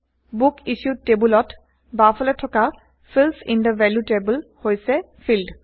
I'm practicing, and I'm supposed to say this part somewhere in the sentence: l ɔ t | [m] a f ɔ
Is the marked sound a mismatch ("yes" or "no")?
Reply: yes